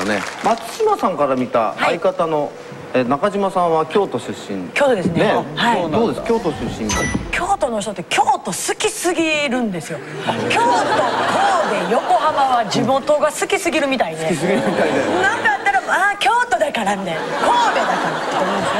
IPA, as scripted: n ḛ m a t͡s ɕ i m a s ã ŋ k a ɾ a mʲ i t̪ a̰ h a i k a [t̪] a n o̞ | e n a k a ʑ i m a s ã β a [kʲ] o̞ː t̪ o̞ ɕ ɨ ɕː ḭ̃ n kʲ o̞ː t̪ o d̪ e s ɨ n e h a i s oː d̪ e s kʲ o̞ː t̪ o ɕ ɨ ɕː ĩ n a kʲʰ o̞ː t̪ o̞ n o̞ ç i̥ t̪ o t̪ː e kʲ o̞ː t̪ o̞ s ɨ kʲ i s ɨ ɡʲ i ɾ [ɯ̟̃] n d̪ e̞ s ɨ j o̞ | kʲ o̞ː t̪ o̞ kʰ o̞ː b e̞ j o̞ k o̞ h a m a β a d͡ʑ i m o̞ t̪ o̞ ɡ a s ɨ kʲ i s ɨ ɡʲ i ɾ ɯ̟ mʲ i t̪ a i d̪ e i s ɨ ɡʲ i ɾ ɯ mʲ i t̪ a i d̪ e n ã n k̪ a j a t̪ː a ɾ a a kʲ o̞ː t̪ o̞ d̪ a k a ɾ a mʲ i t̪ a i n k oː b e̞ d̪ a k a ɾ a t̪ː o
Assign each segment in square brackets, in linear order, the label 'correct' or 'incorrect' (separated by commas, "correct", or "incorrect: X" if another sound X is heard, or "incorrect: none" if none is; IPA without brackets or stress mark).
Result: correct, correct, correct